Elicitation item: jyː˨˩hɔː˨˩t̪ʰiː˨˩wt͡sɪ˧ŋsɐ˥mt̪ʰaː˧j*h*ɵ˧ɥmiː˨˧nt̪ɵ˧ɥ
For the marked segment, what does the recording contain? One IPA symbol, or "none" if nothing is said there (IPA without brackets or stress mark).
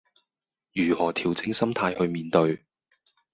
h